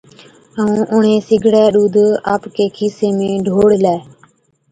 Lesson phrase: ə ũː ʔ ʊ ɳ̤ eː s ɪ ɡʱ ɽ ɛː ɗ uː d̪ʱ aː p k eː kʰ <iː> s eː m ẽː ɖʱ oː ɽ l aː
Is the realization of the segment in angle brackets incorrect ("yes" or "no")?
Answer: no